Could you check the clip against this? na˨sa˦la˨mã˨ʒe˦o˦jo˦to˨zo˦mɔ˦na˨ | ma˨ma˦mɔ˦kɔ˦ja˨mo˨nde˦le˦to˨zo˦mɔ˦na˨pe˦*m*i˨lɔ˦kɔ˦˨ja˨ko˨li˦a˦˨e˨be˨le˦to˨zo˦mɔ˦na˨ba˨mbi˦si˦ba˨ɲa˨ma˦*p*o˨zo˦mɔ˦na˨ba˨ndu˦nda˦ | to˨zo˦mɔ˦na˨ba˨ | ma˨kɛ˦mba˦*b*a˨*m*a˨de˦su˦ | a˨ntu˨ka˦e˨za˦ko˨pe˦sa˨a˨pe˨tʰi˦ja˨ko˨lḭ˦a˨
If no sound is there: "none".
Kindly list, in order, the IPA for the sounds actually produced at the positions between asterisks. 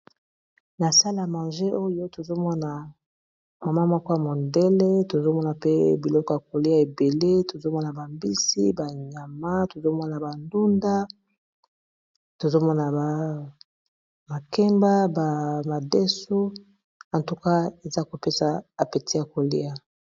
b, t, b, m

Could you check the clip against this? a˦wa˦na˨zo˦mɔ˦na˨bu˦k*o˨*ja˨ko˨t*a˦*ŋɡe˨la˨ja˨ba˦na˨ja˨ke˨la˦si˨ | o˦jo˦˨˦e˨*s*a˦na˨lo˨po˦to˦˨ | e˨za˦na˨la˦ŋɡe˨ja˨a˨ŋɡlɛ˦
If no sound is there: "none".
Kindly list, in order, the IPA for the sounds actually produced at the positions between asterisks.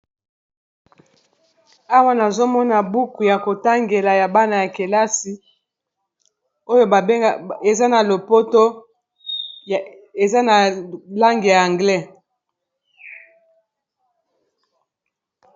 u˨, a˦, z

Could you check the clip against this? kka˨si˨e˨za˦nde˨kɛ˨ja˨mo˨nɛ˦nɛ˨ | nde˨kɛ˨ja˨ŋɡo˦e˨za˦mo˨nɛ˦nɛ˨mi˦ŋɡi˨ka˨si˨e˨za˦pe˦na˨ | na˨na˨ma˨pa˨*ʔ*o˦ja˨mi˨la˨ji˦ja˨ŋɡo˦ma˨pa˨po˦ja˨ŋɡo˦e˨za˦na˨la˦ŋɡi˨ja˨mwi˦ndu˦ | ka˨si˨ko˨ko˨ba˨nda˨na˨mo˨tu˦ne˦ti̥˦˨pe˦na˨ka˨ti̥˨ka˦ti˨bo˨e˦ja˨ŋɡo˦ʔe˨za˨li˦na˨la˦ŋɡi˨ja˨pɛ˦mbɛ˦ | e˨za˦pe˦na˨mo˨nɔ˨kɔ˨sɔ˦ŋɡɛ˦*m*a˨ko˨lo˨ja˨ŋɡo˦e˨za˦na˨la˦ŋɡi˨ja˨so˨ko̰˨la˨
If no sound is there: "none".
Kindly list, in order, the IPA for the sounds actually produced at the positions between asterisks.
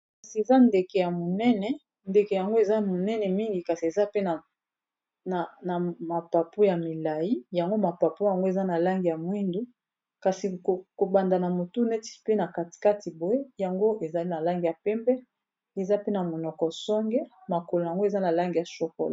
p, m

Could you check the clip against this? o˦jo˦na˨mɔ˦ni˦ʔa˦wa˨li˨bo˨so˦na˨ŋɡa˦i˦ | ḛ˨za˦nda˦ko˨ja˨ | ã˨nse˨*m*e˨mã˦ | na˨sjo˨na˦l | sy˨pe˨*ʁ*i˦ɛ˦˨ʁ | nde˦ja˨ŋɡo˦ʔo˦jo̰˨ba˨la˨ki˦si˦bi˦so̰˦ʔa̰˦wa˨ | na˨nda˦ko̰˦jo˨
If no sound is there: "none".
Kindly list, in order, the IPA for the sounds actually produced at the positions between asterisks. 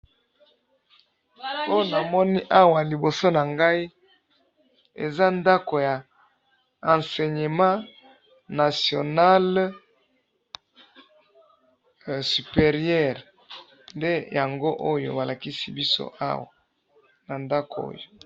ɲ, ʁ

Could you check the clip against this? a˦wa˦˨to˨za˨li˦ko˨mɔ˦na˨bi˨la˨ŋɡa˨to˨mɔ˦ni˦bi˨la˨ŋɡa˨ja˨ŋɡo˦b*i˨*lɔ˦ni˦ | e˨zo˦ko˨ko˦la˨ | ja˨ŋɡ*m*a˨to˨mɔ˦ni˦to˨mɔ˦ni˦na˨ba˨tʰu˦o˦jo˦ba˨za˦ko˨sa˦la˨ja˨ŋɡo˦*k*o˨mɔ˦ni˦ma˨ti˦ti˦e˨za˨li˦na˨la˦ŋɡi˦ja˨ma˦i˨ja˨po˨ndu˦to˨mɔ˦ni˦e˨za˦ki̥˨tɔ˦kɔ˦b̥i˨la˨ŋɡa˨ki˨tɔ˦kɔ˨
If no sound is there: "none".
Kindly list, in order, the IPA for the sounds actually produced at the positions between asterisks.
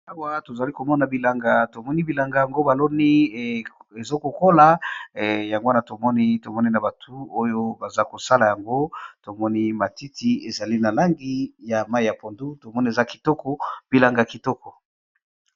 a˨, n, t

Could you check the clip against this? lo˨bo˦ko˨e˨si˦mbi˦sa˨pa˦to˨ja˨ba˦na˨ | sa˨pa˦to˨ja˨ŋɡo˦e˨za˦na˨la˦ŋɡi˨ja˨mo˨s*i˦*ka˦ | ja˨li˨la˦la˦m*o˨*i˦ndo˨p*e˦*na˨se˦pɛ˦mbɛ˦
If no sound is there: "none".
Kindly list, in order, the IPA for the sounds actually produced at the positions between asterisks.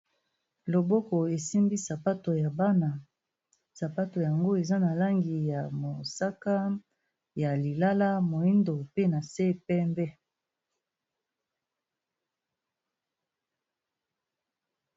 a˦, o˨, e˦

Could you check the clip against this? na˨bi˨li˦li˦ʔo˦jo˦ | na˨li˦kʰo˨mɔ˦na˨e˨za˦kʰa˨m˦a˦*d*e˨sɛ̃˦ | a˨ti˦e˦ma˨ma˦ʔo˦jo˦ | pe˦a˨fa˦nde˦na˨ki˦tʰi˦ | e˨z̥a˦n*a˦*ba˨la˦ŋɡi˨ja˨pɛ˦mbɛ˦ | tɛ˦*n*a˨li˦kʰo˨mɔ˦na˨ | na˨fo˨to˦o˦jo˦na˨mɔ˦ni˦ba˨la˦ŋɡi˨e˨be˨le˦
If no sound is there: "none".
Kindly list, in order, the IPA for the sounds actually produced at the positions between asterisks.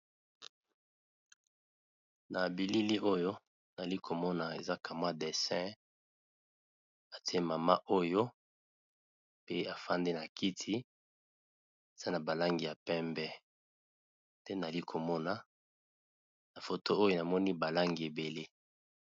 d, a˨, n

